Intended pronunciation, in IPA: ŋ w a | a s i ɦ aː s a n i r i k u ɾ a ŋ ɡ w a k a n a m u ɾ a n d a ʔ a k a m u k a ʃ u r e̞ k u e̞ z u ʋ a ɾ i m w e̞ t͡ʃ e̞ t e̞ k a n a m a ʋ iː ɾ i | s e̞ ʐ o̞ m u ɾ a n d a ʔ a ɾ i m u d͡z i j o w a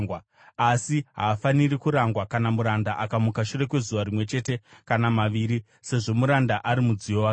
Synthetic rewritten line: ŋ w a | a s i ɦ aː f a n i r i k u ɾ a ŋ ɡ w a k a n a m u ɾ a n d a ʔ a k a m u k a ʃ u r e̞ k w e̞ z u ʋ a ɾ i m w e̞ t͡ʃ e̞ t e̞ k a n a m a ʋ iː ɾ i | s e̞ ʐ o̞ m u ɾ a n d a ʔ a ɾ i m u d͡z i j o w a